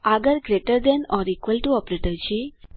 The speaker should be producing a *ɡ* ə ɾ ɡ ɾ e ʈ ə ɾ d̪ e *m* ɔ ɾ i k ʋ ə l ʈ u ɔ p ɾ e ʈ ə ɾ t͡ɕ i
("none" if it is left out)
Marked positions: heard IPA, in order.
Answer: ɡ, n

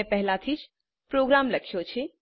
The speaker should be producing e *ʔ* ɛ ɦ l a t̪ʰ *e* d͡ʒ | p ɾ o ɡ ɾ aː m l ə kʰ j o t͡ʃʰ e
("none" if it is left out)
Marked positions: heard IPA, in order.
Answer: p, i

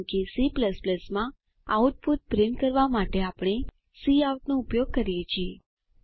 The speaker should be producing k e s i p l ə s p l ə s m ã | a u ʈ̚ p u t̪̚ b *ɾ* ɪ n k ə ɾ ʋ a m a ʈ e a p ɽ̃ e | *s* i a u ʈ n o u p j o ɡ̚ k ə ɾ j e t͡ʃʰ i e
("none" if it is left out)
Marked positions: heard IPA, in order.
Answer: ɾ, s

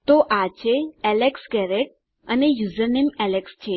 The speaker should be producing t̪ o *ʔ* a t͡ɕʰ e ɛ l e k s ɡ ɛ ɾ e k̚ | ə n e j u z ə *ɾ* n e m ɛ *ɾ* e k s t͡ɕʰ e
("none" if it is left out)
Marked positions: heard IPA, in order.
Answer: ʔ, ɾ, l

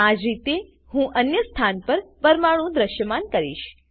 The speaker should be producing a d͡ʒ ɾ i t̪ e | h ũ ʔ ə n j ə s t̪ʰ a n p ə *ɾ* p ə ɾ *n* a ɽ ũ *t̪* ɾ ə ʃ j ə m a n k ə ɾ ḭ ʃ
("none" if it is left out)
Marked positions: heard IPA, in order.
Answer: ɾ, m, d̪

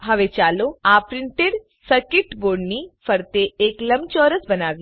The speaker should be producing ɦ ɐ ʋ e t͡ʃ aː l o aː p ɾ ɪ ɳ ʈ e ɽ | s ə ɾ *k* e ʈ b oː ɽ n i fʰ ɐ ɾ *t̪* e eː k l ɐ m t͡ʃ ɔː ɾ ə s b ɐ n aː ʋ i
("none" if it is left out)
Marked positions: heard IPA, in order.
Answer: k, t̪

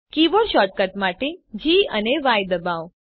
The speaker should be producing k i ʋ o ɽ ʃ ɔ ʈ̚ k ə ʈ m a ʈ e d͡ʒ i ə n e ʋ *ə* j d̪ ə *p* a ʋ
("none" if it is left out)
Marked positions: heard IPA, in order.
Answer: a, b

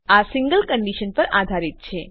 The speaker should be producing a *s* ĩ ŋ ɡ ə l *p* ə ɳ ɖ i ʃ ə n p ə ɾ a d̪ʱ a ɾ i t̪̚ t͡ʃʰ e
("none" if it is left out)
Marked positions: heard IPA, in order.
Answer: s, k

